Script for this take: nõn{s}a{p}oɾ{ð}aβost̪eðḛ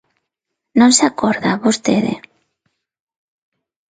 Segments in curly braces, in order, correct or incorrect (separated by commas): correct, incorrect, correct